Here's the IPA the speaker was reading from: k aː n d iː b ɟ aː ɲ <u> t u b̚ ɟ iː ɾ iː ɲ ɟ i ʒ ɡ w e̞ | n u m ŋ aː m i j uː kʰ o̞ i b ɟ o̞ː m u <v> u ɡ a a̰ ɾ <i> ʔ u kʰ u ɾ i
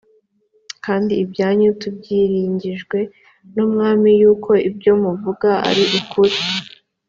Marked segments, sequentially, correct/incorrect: correct, correct, correct

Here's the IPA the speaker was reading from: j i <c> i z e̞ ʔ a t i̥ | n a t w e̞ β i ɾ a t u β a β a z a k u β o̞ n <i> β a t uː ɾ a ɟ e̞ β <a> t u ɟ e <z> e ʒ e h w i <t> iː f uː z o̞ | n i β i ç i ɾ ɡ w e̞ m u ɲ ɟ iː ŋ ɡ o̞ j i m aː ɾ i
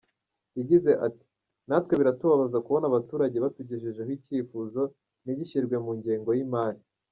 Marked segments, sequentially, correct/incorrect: incorrect, incorrect, correct, incorrect, incorrect

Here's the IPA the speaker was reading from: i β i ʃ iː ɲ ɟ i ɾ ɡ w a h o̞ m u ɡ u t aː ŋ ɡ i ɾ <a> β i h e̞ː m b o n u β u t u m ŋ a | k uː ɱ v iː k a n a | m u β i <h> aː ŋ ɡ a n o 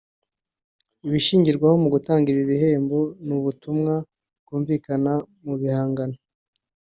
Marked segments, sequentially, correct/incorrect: incorrect, correct

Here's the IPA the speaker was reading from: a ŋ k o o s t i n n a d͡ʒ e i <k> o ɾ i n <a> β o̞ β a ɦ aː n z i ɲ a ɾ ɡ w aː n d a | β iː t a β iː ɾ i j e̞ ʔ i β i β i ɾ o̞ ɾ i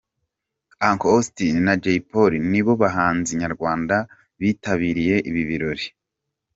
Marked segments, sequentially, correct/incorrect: incorrect, incorrect

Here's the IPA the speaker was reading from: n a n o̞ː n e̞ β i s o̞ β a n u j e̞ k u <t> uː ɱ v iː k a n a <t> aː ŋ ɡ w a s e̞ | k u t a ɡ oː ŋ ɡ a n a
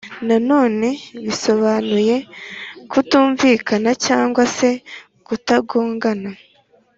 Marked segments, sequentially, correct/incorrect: correct, incorrect

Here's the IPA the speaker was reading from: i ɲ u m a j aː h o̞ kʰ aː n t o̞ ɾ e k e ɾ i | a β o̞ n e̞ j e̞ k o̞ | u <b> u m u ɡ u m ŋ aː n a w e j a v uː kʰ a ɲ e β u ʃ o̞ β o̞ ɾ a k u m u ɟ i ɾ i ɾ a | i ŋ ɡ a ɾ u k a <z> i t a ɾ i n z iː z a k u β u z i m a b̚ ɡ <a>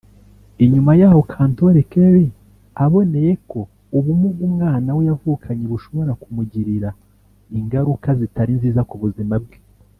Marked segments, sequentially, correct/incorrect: incorrect, correct, incorrect

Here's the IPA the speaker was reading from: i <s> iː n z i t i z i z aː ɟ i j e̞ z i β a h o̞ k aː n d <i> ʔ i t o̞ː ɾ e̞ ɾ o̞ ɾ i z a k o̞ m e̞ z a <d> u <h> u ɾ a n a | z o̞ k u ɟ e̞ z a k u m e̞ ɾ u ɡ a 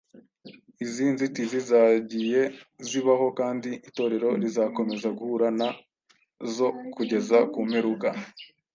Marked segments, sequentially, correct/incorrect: incorrect, correct, incorrect, correct

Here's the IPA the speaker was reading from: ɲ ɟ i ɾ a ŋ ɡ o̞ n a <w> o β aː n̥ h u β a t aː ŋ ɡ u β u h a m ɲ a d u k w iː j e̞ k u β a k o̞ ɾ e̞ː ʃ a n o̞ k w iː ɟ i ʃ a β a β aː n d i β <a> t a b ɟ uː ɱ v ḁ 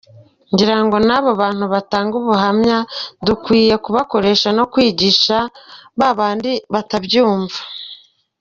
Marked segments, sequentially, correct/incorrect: incorrect, correct

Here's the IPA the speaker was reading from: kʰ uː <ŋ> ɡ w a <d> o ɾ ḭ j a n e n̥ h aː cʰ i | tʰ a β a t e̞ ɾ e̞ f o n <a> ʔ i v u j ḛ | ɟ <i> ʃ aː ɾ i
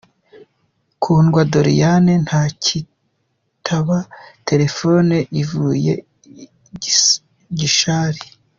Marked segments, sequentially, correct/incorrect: incorrect, correct, incorrect, correct

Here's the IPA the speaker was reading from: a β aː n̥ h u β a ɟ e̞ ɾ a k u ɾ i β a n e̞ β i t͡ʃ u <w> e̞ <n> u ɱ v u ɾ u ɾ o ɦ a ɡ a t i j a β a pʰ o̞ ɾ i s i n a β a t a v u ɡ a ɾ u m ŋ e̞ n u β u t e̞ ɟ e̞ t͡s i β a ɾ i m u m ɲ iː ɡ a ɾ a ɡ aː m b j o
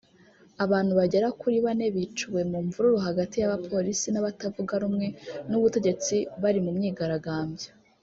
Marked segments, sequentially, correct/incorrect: correct, incorrect

